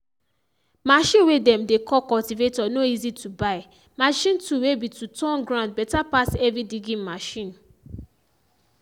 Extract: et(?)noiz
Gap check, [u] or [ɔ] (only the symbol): ɔ